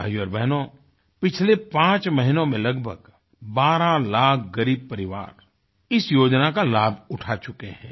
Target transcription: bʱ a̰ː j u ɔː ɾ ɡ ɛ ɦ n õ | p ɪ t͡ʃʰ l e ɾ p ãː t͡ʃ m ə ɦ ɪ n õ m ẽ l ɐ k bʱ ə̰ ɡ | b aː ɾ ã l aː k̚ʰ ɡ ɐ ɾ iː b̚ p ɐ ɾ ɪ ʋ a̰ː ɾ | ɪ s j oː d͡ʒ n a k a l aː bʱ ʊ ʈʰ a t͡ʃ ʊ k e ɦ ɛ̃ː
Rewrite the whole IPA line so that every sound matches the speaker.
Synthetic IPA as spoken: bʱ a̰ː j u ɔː ɾ b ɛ ɦ n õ | p ɪ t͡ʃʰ l e p ãː t͡ʃ m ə ɦ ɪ n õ m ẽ l ɐ ɡ bʱ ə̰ ɡ | b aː ɾ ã l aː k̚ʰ ɡ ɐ ɾ iː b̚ p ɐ ɾ ɪ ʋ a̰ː ɾ | ɪ s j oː d͡ʒ n a k a l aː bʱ ʊ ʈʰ a t͡ʃ ʊ k e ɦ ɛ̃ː